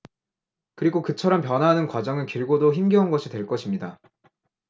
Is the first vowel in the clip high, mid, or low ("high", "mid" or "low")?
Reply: high